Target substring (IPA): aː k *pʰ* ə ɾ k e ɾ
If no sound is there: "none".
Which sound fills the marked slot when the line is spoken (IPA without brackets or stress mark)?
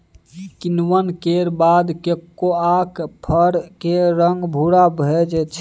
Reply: pʰ